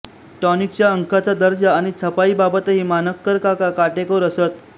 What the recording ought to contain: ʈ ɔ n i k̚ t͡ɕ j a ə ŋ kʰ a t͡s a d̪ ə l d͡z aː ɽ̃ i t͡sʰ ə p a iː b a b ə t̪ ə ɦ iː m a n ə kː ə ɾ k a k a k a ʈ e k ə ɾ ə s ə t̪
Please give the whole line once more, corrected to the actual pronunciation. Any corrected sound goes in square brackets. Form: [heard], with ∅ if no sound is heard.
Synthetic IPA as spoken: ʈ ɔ n i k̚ t͡ɕ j a ə ŋ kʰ a t͡s a d̪ ə [ɾ] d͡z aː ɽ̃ i t͡sʰ ə p a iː b a b ə t̪ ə ɦ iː m a n ə kː ə ɾ k a k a k a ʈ e k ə ɾ ə s ə t̪